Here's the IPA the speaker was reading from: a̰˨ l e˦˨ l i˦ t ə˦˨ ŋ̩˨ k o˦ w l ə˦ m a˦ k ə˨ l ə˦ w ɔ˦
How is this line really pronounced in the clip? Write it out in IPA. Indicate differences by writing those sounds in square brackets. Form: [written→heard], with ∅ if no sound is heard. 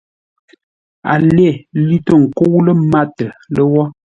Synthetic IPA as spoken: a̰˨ l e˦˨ l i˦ t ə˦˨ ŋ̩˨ k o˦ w l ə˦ m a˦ [k→t] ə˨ l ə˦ w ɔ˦